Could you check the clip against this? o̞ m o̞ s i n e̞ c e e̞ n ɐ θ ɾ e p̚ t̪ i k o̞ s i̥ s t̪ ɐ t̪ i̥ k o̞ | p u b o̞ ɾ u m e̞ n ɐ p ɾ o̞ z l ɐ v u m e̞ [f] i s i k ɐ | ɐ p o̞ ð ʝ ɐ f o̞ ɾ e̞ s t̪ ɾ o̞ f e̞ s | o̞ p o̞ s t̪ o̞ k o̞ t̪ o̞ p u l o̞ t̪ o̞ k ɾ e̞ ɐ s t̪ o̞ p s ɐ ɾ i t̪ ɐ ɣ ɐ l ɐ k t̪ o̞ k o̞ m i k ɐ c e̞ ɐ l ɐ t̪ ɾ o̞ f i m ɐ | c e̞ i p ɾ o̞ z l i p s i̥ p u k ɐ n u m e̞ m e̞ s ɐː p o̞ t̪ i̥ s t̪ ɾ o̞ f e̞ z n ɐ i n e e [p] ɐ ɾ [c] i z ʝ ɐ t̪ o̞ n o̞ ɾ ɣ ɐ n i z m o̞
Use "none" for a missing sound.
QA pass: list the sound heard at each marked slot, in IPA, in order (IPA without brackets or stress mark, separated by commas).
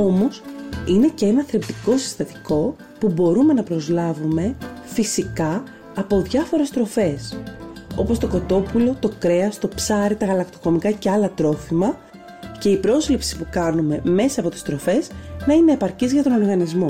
f, p, c